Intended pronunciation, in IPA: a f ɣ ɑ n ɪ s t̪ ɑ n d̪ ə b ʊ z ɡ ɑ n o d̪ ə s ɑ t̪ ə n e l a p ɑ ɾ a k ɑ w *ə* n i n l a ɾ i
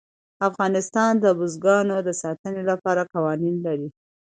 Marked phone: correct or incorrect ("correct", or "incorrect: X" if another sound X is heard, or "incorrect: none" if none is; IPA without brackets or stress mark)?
incorrect: ɑ